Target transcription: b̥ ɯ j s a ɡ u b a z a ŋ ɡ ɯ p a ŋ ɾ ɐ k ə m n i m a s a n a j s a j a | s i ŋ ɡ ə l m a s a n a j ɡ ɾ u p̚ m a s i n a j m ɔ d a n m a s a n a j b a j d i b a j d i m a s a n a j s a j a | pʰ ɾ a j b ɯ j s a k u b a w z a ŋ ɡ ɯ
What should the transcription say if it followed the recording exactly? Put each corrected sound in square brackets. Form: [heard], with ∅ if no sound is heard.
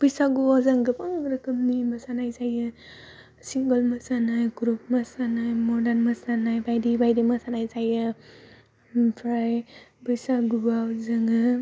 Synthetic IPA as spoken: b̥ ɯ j s a ɡ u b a z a ŋ ɡ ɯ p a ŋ ɾ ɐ k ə m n i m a s a n a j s a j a | s i ŋ ɡ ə l m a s a n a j ɡ ɾ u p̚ m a s [a] n a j m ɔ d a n m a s a n a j b a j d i b a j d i m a s a n a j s a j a | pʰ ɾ a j b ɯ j s a [ɡ] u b a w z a ŋ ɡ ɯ